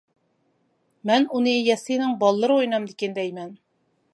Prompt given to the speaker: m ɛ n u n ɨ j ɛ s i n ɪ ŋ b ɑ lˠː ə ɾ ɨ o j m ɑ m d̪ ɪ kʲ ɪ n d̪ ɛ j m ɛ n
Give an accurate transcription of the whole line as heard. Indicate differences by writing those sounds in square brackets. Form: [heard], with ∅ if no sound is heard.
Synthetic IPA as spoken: m ɛ n u n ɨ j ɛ s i n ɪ ŋ b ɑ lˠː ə ɾ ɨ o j [n] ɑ m d̪ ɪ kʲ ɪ n d̪ ɛ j m ɛ n